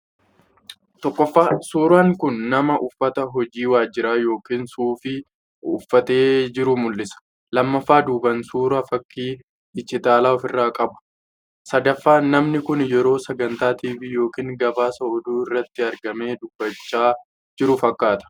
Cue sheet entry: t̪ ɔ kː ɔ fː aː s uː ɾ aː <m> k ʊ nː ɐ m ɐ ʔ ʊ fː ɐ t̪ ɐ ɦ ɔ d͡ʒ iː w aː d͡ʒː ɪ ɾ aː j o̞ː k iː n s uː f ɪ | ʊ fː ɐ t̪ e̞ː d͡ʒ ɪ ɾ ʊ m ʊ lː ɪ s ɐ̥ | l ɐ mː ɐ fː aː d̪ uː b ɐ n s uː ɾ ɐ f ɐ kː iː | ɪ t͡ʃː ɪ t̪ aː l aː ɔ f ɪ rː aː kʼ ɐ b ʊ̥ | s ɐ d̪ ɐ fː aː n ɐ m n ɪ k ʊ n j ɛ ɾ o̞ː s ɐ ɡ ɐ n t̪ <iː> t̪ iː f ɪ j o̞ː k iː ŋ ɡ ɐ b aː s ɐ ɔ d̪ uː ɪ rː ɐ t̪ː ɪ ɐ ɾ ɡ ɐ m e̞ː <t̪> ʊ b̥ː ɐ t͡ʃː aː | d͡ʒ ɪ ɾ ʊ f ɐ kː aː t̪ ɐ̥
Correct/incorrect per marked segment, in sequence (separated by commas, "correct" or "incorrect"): incorrect, incorrect, incorrect